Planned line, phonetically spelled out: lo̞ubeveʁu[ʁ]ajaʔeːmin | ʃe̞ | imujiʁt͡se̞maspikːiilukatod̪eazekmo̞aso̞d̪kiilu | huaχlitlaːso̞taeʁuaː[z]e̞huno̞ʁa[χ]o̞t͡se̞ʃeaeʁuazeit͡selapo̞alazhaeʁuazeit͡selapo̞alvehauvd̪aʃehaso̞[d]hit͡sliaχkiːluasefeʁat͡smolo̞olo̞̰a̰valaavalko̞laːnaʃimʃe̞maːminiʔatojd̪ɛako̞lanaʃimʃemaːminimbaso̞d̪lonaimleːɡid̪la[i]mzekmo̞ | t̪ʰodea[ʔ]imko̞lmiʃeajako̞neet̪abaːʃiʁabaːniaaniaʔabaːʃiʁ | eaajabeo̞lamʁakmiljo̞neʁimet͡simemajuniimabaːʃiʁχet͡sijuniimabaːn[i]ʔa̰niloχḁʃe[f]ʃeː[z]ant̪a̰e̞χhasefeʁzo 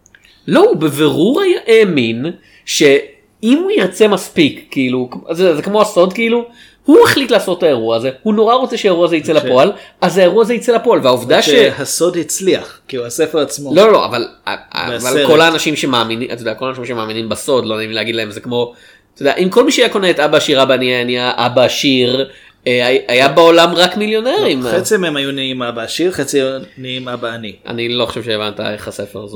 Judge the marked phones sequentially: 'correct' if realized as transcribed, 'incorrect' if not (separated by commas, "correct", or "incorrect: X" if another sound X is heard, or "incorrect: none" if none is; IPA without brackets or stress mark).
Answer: correct, correct, incorrect: ʁ, correct, incorrect: e, correct, correct, incorrect: v, incorrect: v